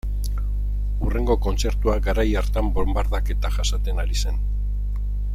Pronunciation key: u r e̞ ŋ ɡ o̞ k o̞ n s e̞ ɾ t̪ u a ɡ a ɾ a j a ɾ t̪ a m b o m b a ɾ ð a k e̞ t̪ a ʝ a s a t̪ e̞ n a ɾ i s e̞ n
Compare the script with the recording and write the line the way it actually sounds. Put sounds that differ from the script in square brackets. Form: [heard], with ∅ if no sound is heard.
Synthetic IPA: u r e̞ ŋ ɡ o̞ k o̞ n [t͡s] e̞ ɾ t̪ u a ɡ a ɾ a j a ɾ t̪ a m b o m b a ɾ ð a k e̞ t̪ a ʝ a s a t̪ e̞ n a ɾ i s e̞ n